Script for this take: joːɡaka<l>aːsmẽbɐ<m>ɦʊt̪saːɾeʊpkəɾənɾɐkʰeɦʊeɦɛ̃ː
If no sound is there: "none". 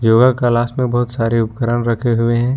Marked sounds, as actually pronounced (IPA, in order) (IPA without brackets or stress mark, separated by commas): l, none